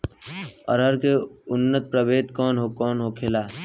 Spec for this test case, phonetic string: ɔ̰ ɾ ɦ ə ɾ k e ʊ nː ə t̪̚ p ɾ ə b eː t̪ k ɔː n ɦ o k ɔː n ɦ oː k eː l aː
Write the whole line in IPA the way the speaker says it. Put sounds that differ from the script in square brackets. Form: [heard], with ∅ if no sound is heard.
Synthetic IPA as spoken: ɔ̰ ɾ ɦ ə ɾ k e ʊ nː ə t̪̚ p ɾ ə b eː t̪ k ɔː n ɦ o k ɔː n ɦ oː [kʰ] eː l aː